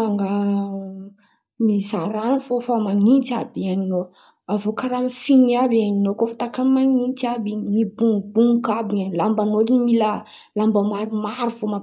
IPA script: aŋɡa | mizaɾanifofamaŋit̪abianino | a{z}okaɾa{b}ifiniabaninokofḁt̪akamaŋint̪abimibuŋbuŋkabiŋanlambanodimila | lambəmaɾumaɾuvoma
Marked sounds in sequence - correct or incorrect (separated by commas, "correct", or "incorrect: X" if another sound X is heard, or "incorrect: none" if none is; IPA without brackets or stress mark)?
incorrect: v, incorrect: m